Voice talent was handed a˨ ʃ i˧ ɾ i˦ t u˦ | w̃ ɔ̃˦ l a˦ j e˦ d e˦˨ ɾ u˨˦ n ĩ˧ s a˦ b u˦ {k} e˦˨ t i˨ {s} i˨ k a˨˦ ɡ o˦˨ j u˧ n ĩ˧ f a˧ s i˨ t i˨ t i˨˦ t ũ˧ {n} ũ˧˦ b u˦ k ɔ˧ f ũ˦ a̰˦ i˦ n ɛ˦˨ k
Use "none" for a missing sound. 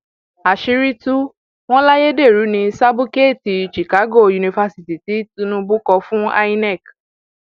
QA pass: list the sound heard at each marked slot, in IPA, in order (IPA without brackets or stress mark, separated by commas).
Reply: k, ʃ, n